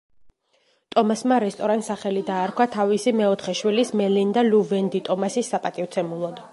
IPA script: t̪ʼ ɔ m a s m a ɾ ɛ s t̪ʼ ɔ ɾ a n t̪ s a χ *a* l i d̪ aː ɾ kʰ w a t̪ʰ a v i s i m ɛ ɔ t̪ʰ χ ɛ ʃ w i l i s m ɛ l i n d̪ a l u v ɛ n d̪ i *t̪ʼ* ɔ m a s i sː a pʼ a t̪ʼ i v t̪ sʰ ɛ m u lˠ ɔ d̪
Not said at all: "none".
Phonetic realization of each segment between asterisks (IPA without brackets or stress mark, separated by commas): ɛ, t̪ʼ